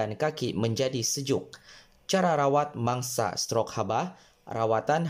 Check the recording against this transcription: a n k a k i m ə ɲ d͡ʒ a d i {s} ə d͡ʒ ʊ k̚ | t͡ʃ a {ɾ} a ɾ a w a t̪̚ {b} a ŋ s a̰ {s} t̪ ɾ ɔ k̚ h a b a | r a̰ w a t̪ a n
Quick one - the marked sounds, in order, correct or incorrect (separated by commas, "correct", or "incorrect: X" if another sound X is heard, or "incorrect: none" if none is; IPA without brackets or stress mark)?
correct, correct, incorrect: m, correct